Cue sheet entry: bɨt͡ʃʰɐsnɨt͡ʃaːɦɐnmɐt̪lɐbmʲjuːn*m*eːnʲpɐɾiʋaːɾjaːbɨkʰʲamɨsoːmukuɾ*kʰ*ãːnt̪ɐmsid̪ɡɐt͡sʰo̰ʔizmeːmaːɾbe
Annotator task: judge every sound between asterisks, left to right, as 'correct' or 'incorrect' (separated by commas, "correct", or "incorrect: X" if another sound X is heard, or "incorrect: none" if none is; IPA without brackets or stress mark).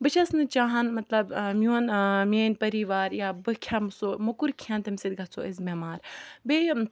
correct, correct